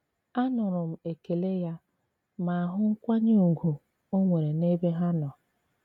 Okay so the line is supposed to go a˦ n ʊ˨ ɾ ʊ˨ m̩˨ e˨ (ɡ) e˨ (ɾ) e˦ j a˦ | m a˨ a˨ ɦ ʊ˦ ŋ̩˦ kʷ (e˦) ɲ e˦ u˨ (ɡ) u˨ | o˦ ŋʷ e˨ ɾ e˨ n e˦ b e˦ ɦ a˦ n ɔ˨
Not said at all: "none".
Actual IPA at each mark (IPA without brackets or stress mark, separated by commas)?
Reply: k, l, a˦, ɡ